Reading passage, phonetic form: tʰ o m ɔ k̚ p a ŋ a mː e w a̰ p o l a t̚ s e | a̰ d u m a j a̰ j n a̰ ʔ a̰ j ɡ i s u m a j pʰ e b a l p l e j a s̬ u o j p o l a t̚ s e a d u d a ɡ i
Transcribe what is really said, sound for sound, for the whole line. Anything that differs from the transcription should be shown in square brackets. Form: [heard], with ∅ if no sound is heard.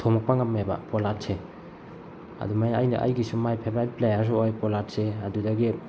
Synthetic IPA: tʰ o m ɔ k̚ p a ŋ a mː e [b] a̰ p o l a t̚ s e | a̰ d u m a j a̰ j n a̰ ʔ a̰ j ɡ i s u m a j pʰ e b a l p l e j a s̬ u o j p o l a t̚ s e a d u d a ɡ i